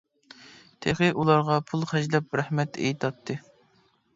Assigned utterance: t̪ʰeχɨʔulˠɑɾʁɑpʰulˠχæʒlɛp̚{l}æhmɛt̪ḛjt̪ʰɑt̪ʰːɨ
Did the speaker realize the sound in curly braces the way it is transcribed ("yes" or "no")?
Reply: no